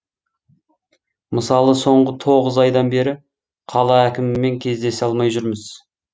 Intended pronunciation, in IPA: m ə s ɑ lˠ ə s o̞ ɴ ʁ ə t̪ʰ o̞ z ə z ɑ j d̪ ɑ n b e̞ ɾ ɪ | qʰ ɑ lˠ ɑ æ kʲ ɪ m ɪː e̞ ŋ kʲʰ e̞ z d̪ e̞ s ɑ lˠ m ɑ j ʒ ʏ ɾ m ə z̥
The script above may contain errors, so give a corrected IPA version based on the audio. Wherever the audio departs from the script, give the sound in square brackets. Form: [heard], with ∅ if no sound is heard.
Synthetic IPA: m ə s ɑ lˠ ə s o̞ ɴ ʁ ə t̪ʰ o̞ [ʁ] ə z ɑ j d̪ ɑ n b e̞ ɾ ɪ | qʰ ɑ lˠ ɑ æ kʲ ɪ m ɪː e̞ ŋ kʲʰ e̞ z d̪ e̞ s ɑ lˠ m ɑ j ʒ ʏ ɾ m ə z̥